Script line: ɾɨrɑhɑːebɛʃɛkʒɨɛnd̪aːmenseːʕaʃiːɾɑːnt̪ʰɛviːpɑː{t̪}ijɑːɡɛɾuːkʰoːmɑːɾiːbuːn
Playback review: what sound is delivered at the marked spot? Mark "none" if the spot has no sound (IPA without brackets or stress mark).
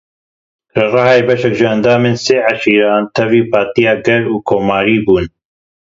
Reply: t̪